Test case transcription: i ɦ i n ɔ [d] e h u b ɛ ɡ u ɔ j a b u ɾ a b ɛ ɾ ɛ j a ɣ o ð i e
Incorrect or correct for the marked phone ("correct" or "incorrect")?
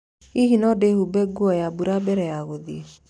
correct